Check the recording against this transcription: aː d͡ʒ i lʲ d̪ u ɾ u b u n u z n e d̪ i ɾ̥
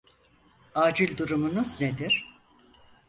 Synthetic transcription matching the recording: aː d͡ʒ i lʲ d̪ u ɾ u m u n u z n e d̪ i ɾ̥

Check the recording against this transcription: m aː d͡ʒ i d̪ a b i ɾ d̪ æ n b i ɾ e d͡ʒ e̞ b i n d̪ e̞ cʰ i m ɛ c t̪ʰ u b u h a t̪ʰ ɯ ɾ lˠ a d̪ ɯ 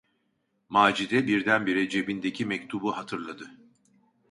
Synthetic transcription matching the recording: m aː d͡ʒ i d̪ ɛ b i ɾ d̪ æ n b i ɾ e d͡ʒ e̞ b i n d̪ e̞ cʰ i m ɛ c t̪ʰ u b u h a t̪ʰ ɯ ɾ lˠ a d̪ ɯ

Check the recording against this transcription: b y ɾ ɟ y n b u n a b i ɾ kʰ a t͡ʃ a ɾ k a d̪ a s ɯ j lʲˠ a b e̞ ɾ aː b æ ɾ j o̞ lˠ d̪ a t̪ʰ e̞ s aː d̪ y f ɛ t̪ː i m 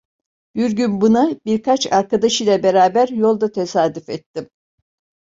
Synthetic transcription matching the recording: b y ɾ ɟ y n b u n a b i ɾ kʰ a t͡ʃ a ɾ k a d̪ a ʃ ɯ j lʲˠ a b e̞ ɾ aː b æ ɾ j o̞ lˠ d̪ a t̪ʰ e̞ s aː d̪ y f ɛ t̪ː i m

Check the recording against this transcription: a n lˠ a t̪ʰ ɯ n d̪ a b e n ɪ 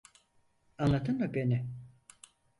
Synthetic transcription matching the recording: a n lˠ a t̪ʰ ɯ n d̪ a b e n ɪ

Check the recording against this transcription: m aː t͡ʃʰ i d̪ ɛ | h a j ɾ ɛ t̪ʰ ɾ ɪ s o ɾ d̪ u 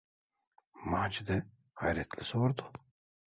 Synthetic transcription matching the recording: m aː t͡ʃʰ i d̪ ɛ | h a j ɾ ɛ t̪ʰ l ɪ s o ɾ d̪ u

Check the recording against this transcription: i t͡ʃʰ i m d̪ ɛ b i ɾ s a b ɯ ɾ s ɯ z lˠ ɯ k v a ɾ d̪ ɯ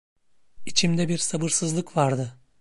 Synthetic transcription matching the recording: i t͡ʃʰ i m d̪ ɛ b i ɾ s a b ɯ ɾ s ɯ z lˠ ɯ k v a ɾ d̪ ɯ

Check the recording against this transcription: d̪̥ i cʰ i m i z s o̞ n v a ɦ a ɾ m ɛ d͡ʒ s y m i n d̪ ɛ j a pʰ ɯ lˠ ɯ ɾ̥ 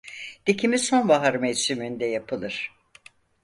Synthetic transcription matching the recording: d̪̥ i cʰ i m i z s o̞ n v a ɦ a ɾ m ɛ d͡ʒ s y m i n d̪ ɛ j a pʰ ɯ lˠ ɯ ɾ̥

